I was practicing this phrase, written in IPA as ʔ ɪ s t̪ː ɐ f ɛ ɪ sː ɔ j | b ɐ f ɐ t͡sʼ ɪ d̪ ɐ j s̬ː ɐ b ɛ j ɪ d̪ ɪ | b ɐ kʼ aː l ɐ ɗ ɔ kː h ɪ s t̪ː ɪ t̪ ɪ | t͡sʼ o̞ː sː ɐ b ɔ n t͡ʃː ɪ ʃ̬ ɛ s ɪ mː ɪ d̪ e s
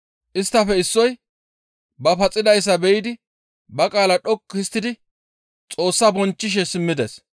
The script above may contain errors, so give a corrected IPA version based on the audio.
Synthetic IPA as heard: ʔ ɪ s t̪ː ɐ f ɛ ɪ sː ɔ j | b ɐ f ɐ t͡sʼ ɪ d̪ ɐ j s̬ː ɐ b ɛ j ɪ d̪ ɪ | b ɐ kʼ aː l ɐ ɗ ɔ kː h ɪ s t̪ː ɪ d̪ ɪ | t͡sʼ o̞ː sː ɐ b ɔ n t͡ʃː ɪ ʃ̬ ɛ s ɪ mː ɪ d̪ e s